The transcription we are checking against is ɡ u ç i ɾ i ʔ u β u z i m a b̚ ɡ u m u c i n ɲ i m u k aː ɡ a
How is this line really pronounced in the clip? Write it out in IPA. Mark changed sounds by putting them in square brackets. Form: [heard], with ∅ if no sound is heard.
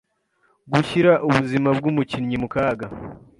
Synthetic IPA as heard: ɡ u ç i ɾ [a] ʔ u β u z i m a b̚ ɡ u m u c i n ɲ i m u k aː ɡ a